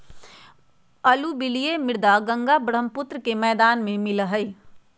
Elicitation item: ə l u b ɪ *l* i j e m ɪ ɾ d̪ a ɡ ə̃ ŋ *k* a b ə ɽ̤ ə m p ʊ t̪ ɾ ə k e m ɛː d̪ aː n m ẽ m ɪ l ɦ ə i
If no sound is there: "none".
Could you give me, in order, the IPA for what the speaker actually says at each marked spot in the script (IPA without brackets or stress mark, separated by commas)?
l, ɡ